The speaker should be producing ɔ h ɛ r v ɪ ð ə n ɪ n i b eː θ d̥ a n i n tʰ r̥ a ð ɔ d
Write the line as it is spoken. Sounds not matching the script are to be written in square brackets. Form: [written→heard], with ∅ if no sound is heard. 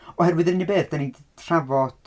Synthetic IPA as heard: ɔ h ɛ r [v→w] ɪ ð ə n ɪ n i b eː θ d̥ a n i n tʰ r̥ a [ð→v] ɔ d